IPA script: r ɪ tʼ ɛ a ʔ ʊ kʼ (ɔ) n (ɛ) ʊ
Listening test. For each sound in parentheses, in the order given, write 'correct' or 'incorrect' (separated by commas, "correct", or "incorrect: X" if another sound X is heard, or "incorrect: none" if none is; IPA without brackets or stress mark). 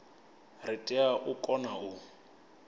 correct, incorrect: a